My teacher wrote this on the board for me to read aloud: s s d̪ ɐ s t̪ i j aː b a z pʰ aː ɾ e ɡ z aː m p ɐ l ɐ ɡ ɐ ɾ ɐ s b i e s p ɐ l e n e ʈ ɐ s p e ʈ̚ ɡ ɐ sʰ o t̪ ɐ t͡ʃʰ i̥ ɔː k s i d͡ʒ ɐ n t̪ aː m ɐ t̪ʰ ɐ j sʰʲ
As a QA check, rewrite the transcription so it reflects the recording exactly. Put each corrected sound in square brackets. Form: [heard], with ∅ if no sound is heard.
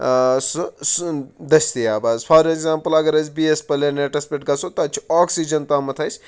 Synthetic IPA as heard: s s d̪ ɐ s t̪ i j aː b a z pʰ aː ɾ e ɡ z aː m p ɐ l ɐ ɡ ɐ ɾ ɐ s b i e s p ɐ l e n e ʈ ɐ s p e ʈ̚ ɡ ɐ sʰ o t̪ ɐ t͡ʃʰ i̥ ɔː k s i d͡ʒ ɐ n t̪ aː m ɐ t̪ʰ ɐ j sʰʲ